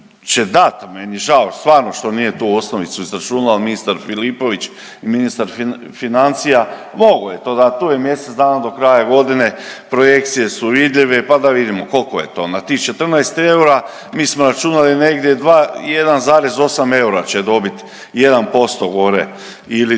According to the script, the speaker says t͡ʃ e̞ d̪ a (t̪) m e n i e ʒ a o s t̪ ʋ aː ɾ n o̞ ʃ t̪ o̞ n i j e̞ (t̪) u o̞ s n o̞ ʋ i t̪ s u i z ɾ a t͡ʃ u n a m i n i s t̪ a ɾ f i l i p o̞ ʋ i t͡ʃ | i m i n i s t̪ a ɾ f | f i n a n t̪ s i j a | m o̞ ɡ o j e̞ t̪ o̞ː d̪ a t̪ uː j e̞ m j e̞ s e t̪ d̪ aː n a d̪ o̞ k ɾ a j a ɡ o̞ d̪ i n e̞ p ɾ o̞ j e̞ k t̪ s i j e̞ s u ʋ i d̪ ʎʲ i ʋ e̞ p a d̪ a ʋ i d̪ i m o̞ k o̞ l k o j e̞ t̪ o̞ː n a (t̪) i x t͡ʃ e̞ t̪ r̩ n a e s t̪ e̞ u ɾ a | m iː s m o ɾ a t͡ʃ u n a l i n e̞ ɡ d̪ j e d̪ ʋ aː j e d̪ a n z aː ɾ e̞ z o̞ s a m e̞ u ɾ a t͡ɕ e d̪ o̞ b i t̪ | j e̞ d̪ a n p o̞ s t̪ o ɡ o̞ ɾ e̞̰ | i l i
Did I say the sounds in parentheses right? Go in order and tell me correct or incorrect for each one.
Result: correct, correct, correct

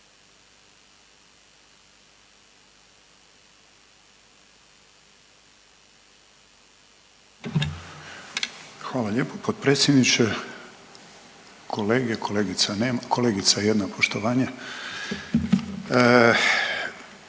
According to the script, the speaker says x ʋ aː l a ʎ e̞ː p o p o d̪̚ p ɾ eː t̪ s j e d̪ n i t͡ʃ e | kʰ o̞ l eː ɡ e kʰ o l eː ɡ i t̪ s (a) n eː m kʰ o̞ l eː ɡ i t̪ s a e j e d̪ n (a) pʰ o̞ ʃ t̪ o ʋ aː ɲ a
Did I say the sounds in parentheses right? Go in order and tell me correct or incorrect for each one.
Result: correct, correct

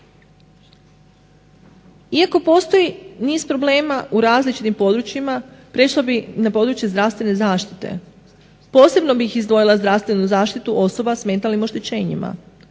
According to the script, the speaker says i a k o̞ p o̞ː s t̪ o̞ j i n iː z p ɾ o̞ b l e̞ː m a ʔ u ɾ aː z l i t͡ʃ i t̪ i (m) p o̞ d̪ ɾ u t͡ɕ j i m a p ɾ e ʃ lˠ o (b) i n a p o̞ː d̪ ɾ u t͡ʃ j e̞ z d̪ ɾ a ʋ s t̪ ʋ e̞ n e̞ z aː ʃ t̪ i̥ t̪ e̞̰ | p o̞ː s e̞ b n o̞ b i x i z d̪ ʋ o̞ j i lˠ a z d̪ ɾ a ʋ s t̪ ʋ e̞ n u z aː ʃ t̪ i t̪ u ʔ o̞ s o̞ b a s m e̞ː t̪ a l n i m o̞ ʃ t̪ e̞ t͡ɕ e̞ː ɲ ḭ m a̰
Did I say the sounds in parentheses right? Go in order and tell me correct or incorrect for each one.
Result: correct, correct

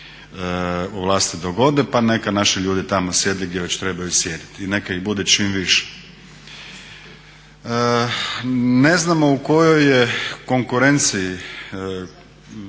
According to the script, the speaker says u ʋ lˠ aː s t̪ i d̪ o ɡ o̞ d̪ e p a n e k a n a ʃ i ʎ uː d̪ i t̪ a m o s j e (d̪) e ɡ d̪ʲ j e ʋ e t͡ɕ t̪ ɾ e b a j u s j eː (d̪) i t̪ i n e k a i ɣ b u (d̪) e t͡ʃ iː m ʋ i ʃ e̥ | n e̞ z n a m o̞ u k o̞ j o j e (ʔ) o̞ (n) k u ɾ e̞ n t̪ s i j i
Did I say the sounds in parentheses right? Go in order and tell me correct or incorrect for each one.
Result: correct, correct, correct, incorrect: k, incorrect: ŋ

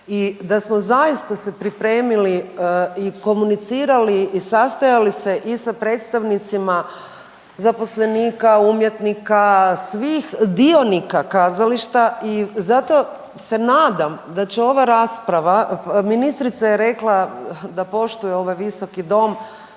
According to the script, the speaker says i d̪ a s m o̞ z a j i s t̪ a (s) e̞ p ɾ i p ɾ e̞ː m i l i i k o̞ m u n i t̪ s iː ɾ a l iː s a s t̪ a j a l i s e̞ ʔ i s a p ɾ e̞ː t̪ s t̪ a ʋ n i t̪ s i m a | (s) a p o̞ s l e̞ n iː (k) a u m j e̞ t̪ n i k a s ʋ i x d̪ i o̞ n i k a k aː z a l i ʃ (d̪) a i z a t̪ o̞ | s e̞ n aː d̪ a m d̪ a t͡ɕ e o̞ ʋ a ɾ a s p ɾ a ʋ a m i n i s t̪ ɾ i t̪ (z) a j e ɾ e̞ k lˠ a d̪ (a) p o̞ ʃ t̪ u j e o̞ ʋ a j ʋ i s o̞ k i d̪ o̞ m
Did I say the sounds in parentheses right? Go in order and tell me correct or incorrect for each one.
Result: correct, incorrect: z, correct, incorrect: t̪, incorrect: s, correct

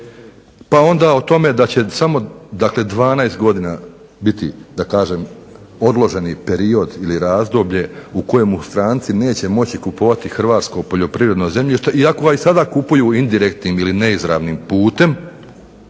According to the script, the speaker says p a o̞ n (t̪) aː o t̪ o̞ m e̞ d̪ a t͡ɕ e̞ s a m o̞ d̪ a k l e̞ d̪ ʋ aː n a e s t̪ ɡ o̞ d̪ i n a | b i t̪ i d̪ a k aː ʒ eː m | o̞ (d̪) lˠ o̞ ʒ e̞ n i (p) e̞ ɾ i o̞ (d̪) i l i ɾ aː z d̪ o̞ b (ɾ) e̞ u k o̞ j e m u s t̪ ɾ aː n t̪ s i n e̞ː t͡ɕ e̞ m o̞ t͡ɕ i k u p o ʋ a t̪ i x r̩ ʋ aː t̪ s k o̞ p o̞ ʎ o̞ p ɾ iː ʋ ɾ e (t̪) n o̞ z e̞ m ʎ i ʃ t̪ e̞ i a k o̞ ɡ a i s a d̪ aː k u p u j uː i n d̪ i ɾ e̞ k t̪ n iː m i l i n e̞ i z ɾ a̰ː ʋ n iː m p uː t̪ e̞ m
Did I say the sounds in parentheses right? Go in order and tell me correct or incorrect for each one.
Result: incorrect: d̪, correct, correct, correct, incorrect: ʎ, incorrect: d̪

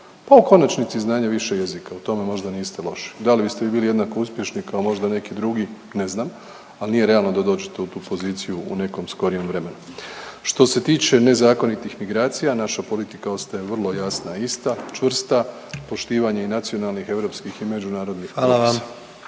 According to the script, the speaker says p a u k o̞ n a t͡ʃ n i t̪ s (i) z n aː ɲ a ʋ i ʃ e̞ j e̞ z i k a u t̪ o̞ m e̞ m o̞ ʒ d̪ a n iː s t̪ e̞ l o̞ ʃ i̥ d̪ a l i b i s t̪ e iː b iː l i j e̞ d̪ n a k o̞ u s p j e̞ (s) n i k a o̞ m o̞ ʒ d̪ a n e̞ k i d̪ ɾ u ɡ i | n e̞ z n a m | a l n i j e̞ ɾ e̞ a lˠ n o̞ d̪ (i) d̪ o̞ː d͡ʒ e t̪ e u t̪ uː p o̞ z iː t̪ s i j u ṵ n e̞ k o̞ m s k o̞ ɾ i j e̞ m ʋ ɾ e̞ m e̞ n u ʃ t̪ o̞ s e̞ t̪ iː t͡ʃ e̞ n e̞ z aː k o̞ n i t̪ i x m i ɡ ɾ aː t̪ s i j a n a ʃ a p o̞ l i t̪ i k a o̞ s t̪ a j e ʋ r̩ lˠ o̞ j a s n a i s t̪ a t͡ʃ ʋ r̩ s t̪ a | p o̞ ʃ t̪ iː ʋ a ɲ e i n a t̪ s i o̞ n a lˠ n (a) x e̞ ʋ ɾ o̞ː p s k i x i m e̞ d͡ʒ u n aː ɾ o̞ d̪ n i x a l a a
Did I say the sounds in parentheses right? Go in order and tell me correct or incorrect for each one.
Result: correct, incorrect: ʃ, incorrect: a, incorrect: i

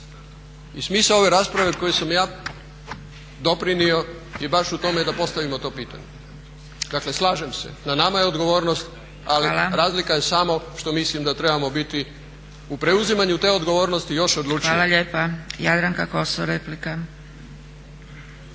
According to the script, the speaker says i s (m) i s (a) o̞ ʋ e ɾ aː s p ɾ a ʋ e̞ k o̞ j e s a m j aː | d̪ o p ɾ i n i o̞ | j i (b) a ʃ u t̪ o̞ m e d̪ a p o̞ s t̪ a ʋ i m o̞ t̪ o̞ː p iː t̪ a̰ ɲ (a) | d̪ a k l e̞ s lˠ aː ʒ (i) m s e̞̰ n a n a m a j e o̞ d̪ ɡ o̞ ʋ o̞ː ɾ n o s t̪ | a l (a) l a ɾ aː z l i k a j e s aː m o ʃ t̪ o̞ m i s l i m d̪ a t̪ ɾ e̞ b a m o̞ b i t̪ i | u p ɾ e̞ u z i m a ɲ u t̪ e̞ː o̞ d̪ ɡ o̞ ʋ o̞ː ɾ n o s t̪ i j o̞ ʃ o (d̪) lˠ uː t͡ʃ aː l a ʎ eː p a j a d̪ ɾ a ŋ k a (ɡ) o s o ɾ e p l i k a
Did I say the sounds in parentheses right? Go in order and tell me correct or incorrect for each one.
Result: correct, correct, correct, incorrect: e, incorrect: e, incorrect: i, correct, incorrect: k

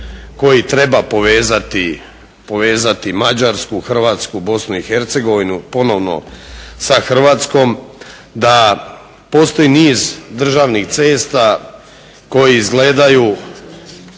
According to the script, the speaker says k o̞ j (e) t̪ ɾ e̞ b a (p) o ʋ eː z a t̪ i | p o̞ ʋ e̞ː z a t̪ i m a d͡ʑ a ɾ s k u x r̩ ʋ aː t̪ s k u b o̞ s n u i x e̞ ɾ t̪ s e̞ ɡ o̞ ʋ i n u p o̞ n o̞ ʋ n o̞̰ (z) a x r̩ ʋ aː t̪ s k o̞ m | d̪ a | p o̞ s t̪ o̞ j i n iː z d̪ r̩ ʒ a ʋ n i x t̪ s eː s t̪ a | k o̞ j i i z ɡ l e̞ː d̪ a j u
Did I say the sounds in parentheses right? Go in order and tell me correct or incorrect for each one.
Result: incorrect: i, correct, incorrect: s

